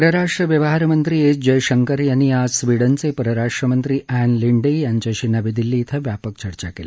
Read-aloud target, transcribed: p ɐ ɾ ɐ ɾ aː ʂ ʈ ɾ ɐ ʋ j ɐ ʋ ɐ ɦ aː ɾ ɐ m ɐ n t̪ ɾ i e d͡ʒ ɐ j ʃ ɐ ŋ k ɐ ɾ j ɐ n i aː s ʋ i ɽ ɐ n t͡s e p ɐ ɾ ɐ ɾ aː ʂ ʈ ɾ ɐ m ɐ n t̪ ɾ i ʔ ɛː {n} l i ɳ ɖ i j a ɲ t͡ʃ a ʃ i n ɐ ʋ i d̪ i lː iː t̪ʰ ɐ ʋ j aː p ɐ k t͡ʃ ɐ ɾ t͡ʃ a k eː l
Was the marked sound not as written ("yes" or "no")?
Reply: no